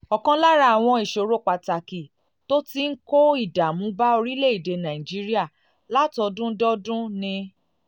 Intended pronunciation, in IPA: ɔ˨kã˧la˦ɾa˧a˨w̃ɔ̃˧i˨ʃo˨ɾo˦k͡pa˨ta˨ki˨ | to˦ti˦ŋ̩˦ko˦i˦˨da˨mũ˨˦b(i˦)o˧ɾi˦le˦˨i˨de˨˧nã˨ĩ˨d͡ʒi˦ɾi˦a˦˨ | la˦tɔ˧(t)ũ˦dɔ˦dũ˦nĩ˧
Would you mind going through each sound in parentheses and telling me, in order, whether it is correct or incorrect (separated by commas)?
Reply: incorrect, incorrect